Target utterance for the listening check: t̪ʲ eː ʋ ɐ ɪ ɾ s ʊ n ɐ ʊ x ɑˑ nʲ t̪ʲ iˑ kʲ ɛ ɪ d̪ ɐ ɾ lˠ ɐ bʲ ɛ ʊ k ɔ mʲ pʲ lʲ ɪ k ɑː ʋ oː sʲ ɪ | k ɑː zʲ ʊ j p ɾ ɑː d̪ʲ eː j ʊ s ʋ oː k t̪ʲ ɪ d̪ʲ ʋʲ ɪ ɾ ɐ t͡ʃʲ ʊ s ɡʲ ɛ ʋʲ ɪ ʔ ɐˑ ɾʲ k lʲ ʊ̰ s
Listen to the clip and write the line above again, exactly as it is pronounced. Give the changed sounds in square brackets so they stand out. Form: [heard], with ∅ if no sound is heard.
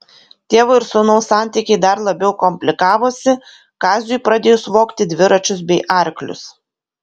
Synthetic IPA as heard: t̪ʲ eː ʋ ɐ ɪ ɾ s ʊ n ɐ ʊ [s] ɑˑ nʲ t̪ʲ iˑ kʲ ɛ ɪ d̪ ɐ ɾ lˠ ɐ bʲ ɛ ʊ k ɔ mʲ pʲ lʲ ɪ k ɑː ʋ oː sʲ ɪ | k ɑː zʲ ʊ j p ɾ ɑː d̪ʲ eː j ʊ s ʋ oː k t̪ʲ ɪ d̪ʲ ʋʲ ɪ ɾ ɐ t͡ʃʲ ʊ s [bʲ] ɛ [∅] ɪ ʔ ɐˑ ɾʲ k lʲ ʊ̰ s